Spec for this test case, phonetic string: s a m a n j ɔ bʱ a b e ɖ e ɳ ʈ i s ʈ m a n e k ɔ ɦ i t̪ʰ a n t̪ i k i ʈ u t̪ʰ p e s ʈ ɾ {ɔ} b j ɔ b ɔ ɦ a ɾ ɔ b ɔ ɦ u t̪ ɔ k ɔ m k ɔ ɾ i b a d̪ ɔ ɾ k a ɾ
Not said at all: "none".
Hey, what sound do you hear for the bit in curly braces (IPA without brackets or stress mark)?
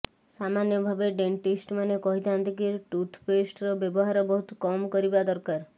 ɔ